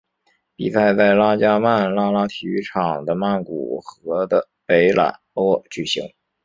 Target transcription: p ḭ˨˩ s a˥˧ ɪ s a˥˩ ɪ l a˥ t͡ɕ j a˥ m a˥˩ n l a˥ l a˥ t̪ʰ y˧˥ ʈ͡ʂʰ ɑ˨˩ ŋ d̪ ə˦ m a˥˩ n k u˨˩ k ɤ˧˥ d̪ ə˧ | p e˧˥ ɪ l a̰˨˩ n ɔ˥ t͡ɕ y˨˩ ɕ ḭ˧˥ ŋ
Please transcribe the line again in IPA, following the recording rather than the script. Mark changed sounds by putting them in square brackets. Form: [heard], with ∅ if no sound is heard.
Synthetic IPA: p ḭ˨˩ s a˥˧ ɪ [t͡s] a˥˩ ɪ l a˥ t͡ɕ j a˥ m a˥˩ n l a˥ l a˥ t̪ʰ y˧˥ ʈ͡ʂʰ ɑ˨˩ ŋ d̪ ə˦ m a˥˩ n k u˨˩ [x] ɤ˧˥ d̪ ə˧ | p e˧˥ ɪ l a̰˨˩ n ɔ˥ t͡ɕ y˨˩ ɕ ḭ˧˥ ŋ